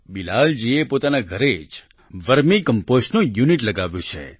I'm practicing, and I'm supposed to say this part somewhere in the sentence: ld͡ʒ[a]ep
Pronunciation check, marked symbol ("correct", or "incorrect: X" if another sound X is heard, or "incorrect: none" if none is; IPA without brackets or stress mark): incorrect: i